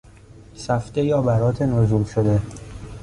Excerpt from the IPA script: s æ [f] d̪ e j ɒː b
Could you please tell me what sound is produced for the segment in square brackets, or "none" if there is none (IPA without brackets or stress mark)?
f